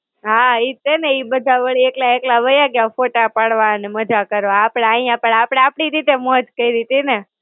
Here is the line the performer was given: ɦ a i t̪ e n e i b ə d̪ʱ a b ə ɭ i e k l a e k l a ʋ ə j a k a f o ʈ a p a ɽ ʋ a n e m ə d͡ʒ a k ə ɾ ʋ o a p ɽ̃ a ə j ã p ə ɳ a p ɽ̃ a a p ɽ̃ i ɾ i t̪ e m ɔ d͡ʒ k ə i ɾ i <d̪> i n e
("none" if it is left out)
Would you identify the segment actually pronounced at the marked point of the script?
t̪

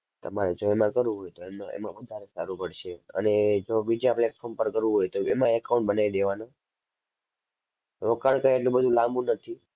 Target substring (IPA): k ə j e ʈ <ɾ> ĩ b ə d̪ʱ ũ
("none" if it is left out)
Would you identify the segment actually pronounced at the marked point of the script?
l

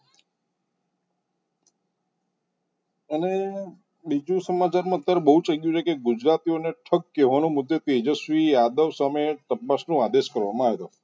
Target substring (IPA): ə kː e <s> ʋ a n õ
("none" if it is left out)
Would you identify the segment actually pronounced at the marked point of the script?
none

